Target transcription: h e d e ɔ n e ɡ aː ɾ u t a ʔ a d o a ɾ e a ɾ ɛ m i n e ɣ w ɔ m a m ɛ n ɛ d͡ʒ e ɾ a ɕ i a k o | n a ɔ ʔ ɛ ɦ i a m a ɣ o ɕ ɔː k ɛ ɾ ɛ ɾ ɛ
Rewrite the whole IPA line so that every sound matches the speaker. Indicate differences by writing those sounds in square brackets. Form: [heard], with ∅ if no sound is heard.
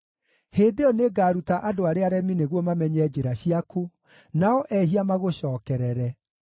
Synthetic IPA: h e d e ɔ n e ɡ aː ɾ u t a ʔ a d o a ɾ e a ɾ ɛ m i n e ɣ w ɔ m a m ɛ [ɲ] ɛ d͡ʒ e ɾ a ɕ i a k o | n a ɔ ʔ ɛ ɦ i a m a ɣ o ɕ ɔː k ɛ ɾ ɛ ɾ ɛ